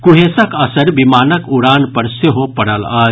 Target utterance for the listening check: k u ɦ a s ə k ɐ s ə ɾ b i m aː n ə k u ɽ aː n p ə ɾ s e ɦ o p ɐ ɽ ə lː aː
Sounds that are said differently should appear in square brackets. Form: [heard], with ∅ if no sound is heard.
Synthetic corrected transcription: k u ɦ [e] s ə k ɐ s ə ɾ b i m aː n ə k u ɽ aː n p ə ɾ s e ɦ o p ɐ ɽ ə [l] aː